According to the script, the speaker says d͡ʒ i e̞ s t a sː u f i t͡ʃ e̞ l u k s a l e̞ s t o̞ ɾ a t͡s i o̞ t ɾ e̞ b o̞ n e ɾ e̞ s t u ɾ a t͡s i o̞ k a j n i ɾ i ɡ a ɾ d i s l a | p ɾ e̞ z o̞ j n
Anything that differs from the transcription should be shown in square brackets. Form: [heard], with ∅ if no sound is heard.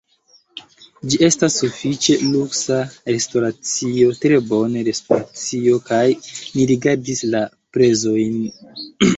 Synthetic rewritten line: d͡ʒ i e̞ s t a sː u f i t͡ʃ e̞ l u k s a [ɾ] e̞ s t o̞ ɾ a t͡s i o̞ t ɾ e̞ b o̞ n e ɾ e̞ s t [o] ɾ a t͡s i o̞ k a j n i ɾ i ɡ a ɾ d i s l a | p ɾ e̞ z o̞ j n